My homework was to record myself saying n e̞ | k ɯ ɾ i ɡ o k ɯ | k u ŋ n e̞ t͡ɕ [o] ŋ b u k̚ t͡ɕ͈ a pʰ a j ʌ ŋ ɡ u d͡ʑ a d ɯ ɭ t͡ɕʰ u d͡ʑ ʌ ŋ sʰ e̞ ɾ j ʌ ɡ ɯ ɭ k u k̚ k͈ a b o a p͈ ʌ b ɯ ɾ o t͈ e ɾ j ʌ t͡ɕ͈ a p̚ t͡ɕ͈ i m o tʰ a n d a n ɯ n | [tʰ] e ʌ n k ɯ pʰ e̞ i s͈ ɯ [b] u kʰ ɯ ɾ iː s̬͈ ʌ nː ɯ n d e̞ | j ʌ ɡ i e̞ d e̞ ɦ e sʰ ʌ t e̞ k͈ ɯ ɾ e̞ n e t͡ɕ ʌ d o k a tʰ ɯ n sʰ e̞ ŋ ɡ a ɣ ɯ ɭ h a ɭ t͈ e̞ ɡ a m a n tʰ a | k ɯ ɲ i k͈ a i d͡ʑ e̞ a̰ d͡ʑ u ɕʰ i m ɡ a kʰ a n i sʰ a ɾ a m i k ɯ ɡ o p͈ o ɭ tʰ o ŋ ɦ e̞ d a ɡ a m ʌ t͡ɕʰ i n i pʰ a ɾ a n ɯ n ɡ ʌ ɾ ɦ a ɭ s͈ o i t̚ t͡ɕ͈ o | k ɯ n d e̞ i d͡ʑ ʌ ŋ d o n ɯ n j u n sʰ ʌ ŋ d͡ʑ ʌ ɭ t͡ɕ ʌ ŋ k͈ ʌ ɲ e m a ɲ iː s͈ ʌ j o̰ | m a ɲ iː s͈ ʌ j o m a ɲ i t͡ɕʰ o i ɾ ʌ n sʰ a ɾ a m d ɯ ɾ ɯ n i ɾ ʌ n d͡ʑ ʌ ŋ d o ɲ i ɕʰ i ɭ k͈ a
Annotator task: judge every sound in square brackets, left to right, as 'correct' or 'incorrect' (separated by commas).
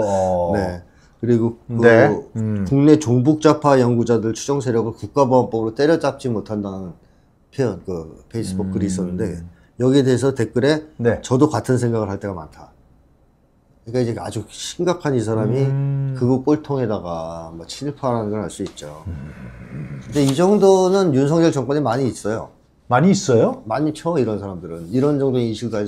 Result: correct, incorrect, correct